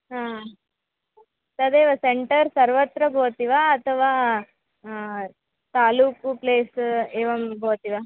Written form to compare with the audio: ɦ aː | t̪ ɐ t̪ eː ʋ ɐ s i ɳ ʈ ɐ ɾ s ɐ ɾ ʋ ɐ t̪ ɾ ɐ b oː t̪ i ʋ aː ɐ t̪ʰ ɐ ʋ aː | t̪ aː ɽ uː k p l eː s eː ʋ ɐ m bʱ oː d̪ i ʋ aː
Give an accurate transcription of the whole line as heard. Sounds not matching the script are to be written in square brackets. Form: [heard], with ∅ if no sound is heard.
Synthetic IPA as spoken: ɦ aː | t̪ ɐ [d̪] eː ʋ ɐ s [e] ɳ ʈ ɐ ɾ s ɐ ɾ ʋ ɐ t̪ ɾ ɐ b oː t̪ i ʋ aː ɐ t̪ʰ ɐ ʋ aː | t̪ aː [l] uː k p l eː s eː ʋ ɐ m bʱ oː [t̪] i ʋ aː